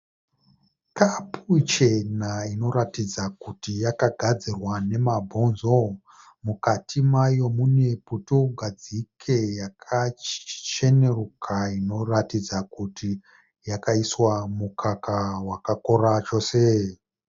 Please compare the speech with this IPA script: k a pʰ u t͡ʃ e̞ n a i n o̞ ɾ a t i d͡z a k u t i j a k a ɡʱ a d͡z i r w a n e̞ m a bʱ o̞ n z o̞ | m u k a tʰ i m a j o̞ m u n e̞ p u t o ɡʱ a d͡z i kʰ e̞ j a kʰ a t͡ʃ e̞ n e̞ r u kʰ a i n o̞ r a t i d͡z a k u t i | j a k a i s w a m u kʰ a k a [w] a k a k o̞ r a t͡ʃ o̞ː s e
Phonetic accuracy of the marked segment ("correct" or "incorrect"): correct